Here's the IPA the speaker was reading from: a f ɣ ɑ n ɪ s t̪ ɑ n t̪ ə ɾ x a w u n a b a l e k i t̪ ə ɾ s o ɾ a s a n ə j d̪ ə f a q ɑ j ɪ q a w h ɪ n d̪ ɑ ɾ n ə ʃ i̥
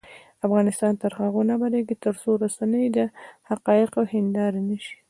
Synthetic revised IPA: a f ɣ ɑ n ɪ s t̪ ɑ n t̪ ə ɾ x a ɣ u n a b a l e ɡ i t̪ ə ɾ s o ɾ a s a n ə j d̪ ə h a q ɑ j ɪ q a w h ɪ n d̪ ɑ ɾ n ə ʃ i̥